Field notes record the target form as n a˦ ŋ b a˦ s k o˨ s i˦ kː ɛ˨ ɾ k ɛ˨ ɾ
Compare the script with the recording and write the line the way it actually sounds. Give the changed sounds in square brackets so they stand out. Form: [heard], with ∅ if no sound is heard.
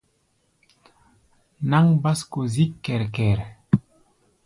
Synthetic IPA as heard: n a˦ ŋ b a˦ s k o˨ [z] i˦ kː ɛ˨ ɾ k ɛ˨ ɾ